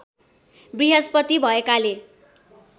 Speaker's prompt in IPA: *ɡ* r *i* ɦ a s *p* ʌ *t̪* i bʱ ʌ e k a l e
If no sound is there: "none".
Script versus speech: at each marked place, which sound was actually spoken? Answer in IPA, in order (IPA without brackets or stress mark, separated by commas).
b, i, p, t̪